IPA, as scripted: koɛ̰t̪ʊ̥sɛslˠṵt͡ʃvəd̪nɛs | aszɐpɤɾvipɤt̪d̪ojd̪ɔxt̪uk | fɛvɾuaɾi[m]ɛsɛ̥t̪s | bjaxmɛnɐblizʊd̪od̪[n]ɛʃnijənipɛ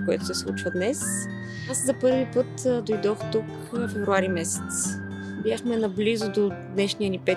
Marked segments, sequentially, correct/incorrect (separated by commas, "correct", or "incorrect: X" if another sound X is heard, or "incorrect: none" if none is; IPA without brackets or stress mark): correct, correct